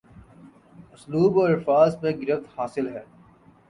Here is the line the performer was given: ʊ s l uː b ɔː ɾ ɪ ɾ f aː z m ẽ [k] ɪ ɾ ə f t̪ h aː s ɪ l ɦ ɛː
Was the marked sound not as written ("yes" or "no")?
yes